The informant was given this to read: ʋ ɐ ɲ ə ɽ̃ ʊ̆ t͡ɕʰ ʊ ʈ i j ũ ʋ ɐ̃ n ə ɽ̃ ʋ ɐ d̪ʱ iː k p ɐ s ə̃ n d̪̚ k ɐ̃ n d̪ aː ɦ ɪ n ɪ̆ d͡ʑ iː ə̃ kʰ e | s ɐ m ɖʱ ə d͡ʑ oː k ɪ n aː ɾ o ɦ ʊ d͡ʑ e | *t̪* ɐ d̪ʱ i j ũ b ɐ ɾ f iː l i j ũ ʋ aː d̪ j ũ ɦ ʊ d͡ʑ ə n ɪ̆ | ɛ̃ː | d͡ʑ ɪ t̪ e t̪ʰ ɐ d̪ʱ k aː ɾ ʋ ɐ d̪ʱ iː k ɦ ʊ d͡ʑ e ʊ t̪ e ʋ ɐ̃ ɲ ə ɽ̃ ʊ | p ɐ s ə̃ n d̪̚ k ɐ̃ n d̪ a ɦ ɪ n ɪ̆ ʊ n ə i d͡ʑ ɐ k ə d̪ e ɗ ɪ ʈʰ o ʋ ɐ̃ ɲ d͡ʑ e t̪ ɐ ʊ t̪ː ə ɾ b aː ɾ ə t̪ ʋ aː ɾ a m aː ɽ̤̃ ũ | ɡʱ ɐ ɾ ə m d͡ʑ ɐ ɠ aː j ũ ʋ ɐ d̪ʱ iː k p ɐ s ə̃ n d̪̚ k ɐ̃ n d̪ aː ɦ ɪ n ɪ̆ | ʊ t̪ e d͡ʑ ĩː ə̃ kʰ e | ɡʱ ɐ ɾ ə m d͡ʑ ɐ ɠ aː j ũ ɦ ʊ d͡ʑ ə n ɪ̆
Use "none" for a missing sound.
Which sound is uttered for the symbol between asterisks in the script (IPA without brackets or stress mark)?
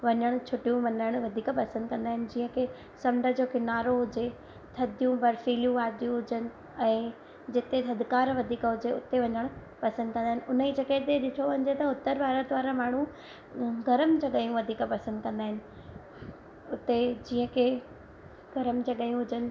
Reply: t̪ʰ